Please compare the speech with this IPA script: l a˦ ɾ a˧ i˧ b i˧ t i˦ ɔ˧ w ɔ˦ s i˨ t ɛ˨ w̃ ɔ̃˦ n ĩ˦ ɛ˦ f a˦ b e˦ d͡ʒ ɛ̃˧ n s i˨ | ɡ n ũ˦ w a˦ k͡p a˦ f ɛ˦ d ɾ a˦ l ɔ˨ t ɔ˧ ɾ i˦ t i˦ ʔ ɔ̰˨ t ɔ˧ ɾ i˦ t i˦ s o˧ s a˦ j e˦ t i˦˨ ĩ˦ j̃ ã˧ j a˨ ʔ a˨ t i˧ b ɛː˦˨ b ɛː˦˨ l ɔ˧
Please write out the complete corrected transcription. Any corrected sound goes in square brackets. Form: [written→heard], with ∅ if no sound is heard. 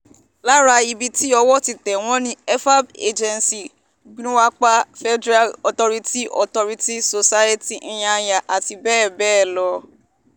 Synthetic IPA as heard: l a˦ ɾ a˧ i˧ b i˧ t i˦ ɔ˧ w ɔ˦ [s→t] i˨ t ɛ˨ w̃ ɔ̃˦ n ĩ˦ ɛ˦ f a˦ b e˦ d͡ʒ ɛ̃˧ n s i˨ | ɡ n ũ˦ w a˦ k͡p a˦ f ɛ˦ d ɾ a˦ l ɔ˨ t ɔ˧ ɾ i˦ t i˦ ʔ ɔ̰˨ t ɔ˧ ɾ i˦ t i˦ s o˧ s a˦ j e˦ t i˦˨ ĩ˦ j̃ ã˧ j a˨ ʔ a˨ t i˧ b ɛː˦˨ b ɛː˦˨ l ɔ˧